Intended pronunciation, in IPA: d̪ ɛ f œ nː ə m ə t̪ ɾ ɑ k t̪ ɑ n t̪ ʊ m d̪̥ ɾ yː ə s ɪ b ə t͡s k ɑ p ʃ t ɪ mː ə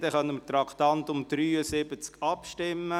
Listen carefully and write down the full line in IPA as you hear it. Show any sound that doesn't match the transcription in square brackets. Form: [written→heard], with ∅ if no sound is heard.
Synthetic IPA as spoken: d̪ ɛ [f→χ] œ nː ə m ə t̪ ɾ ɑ k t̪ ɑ n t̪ ʊ m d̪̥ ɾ yː ə s ɪ b ə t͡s k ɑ p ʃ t ɪ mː ə